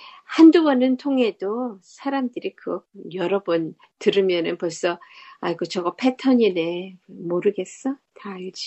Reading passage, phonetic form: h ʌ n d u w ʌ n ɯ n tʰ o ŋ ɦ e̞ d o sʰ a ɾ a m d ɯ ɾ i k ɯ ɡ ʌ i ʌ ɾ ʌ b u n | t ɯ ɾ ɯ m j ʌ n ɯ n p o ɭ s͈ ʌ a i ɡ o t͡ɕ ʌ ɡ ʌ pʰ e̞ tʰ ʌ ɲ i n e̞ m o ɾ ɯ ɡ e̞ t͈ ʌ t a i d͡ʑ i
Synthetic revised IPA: h a n d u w ʌ n ɯ n tʰ o ŋ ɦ e̞ d o sʰ a ɾ a m d ɯ ɾ i k ɯ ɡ ʌ j ʌ ɾ ʌ b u n | t ɯ ɾ ɯ m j ʌ n ɯ n p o ɭ s͈ ʌ a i ɡ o t͡ɕ ʌ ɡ ʌ pʰ e̞ tʰ ʌ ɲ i n e̞ m o ɾ ɯ ɡ e̞ s͈ ʌ t a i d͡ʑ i